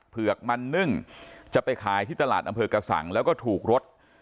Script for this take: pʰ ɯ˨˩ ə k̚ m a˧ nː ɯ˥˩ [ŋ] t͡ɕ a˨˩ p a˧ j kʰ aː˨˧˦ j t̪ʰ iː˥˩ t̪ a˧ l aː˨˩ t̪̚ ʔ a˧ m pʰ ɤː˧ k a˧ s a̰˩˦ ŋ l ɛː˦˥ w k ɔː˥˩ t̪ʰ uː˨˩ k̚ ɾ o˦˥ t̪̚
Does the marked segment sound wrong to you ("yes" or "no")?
no